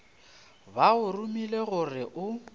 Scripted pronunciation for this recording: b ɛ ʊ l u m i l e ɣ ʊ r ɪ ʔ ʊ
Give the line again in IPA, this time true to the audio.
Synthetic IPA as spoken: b a ʊ r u m i l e ɣ ʊ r ɪ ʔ ʊ